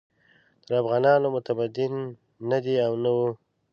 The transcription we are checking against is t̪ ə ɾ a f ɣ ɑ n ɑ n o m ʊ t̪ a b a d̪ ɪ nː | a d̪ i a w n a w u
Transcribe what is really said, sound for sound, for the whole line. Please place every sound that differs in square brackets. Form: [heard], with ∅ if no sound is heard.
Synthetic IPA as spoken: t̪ ə ɾ a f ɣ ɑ n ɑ n o m ʊ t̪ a b a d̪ ɪ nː | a d̪ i a w n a w u

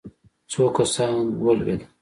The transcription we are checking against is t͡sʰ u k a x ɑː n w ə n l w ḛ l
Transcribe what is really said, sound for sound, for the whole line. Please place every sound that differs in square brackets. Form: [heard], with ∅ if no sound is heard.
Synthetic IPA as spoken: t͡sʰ [o] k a [s] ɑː n w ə [∅] l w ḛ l

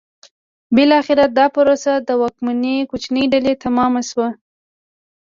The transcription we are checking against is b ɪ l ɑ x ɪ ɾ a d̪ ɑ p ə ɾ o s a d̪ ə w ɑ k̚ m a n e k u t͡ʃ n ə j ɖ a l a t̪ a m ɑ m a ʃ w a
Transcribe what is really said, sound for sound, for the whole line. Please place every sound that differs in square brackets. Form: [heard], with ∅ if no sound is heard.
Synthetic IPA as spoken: b ɪ l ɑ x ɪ ɾ a d̪ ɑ p ə ɾ o s a d̪ ə w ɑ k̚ m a n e k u t͡ʃ n ə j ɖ a l [e] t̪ a m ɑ m a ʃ w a

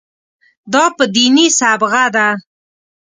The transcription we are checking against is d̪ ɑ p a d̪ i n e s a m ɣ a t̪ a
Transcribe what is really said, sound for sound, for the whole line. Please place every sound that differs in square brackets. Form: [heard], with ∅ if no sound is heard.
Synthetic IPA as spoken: d̪ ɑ p [ə] d̪ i n [i] s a [b] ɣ a [d̪] a

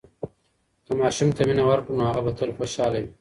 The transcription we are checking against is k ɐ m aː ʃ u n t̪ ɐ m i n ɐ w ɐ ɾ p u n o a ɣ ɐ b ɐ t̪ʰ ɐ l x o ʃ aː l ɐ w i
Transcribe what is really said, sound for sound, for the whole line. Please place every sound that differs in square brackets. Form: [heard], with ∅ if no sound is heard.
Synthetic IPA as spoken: k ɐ m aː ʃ u [m] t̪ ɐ m i n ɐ w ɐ ɾ [k] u n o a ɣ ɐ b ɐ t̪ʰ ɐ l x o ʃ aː l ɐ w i

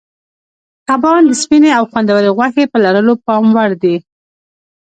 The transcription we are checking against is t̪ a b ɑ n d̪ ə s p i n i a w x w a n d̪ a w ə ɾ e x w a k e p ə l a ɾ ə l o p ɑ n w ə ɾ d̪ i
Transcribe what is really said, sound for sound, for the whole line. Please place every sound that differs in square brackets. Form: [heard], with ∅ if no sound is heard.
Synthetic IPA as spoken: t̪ a b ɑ n d̪ ə s p i n [e] a w x w a n d̪ a w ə ɾ e [ɣ] w a [x] e p ə l a ɾ ə l o p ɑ [m] w [a] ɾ d̪ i

